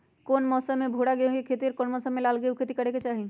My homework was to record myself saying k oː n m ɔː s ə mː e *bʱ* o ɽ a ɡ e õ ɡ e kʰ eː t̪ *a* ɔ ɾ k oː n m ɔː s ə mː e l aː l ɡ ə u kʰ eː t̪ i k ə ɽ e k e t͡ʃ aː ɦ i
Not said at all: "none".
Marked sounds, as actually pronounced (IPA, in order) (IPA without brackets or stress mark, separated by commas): bʱ, i